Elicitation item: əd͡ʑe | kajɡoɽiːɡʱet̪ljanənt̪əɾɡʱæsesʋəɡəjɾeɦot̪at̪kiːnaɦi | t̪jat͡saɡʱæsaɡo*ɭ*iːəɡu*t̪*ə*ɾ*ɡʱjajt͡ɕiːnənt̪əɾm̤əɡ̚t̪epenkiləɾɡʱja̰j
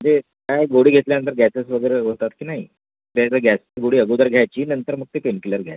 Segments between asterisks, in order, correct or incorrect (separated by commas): incorrect, incorrect, correct